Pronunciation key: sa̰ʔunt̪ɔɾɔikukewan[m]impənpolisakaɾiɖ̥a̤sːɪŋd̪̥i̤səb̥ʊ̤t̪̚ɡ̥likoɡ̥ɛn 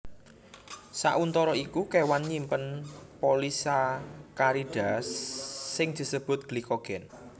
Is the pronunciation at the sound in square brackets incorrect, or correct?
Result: incorrect